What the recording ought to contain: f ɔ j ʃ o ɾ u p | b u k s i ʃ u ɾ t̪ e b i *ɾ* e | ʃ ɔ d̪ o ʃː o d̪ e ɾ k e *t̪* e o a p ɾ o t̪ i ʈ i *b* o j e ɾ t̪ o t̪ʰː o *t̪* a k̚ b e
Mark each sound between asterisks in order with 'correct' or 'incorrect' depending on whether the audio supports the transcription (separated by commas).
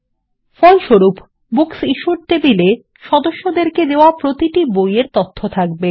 incorrect, incorrect, correct, incorrect